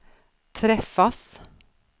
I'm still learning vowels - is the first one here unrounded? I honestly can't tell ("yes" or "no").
yes